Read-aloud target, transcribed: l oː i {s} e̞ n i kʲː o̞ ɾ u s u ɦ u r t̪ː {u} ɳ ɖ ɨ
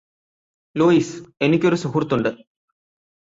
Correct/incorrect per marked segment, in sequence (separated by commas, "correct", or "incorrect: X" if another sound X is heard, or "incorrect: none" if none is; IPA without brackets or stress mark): correct, correct